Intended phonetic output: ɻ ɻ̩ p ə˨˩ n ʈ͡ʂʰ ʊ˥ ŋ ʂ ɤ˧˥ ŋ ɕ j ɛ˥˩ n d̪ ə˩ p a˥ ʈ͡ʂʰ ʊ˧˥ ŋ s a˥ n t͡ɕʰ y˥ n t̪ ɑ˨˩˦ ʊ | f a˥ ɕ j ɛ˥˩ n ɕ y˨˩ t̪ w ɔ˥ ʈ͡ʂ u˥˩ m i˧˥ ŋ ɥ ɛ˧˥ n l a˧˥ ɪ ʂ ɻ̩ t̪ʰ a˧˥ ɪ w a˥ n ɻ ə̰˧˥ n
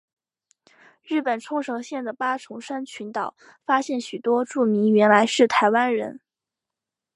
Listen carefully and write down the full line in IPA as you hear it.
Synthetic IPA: ɻ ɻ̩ p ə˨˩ n ʈ͡ʂʰ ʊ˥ ŋ ʂ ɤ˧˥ ŋ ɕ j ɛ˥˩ n d̪ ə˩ p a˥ ʈ͡ʂʰ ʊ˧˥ ŋ ʂ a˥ n t͡ɕʰ y˧˥ n t̪ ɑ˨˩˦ ʊ | f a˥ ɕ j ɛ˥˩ n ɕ y˨˩ t̪ w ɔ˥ ʈ͡ʂ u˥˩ m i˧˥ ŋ ɥ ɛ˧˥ n l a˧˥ ɪ ʂ ɻ̩ t̪ʰ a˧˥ ɪ w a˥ n ɻ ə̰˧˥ n